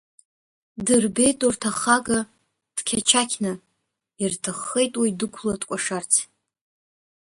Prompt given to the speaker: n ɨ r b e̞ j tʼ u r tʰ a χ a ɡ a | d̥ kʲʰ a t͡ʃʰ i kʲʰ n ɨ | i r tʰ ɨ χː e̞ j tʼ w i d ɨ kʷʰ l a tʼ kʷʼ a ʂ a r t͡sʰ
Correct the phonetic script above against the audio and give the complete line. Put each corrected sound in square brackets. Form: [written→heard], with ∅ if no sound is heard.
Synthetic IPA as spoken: [n→d] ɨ r b e̞ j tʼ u r tʰ a χ a ɡ a | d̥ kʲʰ a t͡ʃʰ [i→a] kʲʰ n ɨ | i r tʰ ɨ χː e̞ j tʼ w i d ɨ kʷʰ l a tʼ kʷʼ a ʂ a r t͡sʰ